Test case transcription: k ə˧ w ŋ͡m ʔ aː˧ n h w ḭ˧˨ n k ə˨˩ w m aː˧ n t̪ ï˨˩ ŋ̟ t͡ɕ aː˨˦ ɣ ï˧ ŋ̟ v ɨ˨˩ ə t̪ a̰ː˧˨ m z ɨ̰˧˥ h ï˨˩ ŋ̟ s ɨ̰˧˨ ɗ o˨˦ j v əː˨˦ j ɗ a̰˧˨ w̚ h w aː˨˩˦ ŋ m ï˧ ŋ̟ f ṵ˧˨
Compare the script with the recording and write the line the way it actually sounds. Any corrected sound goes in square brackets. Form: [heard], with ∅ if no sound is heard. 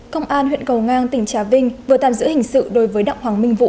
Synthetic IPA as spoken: k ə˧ w ŋ͡m ʔ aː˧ n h w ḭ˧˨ n k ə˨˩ w [ŋ] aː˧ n t̪ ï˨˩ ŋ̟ t͡ɕ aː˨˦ [v] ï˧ ŋ̟ v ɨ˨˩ ə t̪ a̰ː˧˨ m z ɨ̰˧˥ h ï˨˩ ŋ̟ s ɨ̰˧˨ ɗ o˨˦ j v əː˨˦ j ɗ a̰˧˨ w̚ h w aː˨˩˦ ŋ m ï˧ ŋ̟ [v] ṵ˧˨

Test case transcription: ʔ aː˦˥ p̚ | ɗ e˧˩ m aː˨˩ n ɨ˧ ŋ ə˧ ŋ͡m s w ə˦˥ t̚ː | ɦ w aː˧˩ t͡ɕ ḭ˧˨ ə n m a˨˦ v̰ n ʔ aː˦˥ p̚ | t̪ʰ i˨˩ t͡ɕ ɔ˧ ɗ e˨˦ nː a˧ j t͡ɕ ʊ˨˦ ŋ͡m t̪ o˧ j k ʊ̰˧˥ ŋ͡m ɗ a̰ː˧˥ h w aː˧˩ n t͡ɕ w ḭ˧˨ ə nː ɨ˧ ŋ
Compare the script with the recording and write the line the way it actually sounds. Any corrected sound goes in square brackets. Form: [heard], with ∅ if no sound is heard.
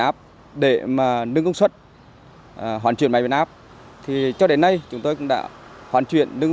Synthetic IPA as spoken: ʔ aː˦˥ p̚ | ɗ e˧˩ m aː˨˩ n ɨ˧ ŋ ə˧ ŋ͡m s w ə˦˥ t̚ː | ɦ w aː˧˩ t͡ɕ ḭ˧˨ ə n m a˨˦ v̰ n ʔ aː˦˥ p̚ | t̪ʰ i˨˩ t͡ɕ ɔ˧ ɗ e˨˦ nː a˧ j t͡ɕ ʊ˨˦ ŋ͡m t̪ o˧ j k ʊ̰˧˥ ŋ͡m ɗ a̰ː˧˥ h w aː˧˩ n t͡ɕ w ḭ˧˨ ə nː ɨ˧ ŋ

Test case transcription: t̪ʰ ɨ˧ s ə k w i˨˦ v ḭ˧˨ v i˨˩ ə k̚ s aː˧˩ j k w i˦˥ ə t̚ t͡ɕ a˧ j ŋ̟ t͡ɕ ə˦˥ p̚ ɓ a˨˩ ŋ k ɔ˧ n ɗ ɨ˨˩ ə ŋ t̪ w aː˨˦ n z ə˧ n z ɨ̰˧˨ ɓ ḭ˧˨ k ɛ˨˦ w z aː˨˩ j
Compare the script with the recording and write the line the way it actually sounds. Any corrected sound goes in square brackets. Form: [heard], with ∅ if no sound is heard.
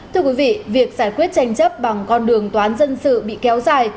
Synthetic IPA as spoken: t̪ʰ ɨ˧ [∅] ə k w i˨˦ v ḭ˧˨ v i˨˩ ə k̚ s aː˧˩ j k w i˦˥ ə t̚ t͡ɕ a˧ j ŋ̟ t͡ɕ ə˦˥ p̚ ɓ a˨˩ ŋ k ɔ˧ n ɗ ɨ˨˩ ə ŋ t̪ w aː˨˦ n z ə˧ n [s] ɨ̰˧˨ ɓ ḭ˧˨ k ɛ˨˦ w z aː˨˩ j

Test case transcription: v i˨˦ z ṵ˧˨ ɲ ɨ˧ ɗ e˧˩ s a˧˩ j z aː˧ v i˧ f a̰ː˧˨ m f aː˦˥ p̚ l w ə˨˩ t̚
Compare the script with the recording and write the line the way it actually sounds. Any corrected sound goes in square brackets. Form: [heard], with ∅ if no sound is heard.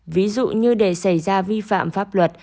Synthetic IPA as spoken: v i˨˦ z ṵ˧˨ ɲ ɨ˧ ɗ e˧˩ s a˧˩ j z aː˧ v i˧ f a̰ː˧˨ m f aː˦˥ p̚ l w ə˨˩ t̚

